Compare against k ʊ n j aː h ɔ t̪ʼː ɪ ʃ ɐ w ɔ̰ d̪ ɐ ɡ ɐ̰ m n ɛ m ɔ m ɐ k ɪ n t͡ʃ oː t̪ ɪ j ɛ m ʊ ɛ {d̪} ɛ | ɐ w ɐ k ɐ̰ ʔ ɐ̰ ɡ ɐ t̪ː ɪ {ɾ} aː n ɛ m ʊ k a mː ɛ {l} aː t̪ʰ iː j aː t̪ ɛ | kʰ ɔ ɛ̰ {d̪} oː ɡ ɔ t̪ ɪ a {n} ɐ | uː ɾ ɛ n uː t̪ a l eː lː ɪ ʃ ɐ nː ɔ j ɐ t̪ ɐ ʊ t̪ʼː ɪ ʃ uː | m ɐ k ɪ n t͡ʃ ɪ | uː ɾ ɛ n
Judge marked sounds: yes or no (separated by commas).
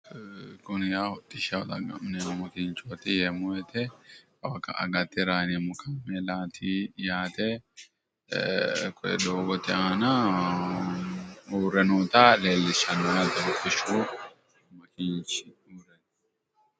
no, yes, yes, yes, yes